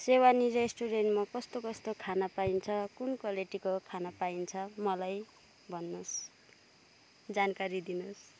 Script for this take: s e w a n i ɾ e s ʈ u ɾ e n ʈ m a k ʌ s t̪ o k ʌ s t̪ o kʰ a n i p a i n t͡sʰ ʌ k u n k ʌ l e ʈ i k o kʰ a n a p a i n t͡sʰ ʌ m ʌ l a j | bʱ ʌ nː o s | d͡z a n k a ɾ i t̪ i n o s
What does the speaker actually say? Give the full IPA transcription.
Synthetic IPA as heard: s e w a n i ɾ e s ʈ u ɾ e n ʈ m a k ʌ s t̪ o k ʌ s t̪ o kʰ a n a p a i n t͡sʰ ʌ k u n k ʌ l e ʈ i k o kʰ a n a p a i n t͡sʰ ʌ m ʌ l a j | bʱ ʌ nː o s | d͡z a n k a ɾ i d̪ i n o s